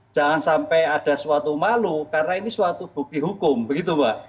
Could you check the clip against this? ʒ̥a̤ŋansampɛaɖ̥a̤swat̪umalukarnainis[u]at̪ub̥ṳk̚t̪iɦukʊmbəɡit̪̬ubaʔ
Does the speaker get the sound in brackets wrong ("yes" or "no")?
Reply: yes